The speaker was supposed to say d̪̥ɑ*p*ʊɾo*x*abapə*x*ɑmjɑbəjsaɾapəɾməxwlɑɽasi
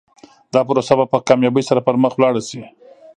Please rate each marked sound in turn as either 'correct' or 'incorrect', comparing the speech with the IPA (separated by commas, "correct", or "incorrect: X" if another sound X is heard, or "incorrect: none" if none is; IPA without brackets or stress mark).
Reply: correct, incorrect: s, incorrect: k